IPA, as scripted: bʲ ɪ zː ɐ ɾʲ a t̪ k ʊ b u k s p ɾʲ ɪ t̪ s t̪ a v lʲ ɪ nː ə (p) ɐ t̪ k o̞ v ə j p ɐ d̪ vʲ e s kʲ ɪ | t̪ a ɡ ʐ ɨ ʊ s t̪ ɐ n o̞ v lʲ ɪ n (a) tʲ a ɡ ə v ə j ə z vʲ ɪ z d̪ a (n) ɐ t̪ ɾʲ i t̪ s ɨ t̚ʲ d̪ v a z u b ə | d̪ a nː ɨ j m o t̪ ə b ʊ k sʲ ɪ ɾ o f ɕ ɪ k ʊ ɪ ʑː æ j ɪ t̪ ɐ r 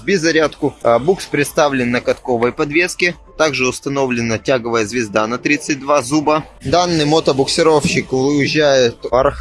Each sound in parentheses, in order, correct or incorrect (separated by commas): incorrect, incorrect, correct